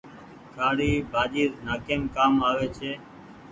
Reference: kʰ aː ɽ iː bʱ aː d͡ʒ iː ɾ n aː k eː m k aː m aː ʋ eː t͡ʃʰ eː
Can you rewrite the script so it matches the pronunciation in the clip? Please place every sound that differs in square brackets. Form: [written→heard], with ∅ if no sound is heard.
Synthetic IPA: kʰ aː ɽ iː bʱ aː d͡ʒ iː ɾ n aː k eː m k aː m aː ʋ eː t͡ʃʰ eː